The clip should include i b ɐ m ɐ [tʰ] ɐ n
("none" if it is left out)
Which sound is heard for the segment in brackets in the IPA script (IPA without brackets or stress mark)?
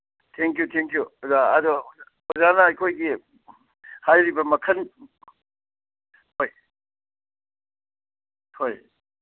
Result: kʰ